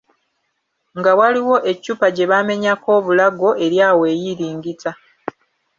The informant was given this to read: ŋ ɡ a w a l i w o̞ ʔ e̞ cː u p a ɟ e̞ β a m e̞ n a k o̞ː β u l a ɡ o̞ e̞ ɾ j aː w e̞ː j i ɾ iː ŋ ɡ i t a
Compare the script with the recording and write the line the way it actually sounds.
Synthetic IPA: ŋ ɡ a w a l i w o̞ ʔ e̞ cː u p a ɟ e̞ β a m e̞ ɲ a k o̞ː β u l a ɡ o̞ e̞ ɾ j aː w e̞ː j i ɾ iː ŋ ɡ i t a